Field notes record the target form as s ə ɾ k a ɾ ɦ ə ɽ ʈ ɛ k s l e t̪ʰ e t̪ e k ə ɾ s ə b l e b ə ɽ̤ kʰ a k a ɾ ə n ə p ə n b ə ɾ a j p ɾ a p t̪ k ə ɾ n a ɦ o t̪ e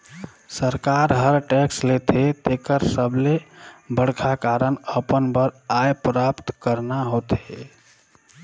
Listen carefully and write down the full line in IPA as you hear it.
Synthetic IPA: s ə ɾ k a ɾ ɦ ə ɾ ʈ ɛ k s l e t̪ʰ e t̪ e k ə ɾ s ə b l e b ə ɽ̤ kʰ a k a ɾ ə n ə p ə n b ə ɾ a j p ɾ a p t̪ k ə ɾ n a ɦ o t̪ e